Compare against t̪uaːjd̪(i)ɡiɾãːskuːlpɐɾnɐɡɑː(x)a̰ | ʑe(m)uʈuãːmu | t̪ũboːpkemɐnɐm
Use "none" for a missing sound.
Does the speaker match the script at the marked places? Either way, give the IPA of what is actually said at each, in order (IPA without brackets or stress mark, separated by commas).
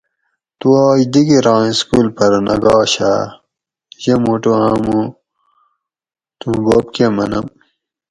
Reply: i, ɕ, m